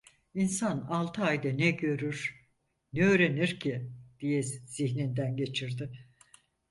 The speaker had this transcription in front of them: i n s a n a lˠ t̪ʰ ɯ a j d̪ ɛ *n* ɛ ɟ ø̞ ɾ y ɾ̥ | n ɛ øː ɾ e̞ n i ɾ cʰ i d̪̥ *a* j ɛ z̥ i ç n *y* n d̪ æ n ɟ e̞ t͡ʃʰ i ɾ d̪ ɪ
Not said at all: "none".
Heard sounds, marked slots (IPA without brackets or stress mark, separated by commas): n, i, i